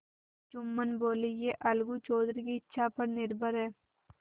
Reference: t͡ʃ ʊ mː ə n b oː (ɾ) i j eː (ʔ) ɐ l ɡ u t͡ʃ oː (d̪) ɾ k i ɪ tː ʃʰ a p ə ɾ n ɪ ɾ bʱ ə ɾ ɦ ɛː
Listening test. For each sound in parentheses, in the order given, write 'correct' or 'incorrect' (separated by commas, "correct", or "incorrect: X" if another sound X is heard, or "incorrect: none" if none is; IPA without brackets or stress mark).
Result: incorrect: l, correct, correct